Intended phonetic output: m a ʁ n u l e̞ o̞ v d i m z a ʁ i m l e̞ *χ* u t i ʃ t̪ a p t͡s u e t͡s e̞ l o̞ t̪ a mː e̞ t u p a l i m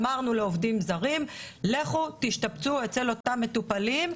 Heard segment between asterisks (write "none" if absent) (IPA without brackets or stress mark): χ